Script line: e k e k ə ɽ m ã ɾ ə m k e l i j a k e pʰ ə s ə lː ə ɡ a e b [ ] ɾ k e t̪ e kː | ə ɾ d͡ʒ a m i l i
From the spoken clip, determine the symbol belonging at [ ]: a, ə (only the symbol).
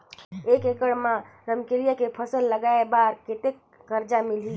a